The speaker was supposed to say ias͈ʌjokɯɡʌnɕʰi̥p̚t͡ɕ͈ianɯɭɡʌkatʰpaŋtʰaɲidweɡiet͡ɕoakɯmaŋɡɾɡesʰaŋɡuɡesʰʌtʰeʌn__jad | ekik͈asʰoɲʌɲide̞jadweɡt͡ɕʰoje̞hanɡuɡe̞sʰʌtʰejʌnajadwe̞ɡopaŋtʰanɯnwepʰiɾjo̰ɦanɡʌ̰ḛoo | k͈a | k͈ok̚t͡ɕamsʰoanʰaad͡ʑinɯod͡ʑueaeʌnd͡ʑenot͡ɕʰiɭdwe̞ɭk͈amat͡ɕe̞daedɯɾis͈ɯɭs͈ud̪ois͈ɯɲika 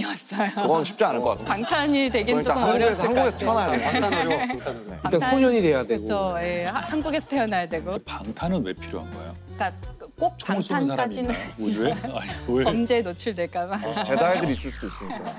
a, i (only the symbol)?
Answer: a